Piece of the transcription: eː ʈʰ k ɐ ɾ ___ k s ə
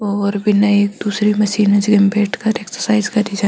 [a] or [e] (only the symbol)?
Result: e